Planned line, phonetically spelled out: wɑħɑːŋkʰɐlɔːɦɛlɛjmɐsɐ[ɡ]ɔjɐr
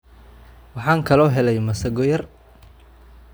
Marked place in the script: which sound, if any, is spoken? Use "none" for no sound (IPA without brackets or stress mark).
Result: ɡ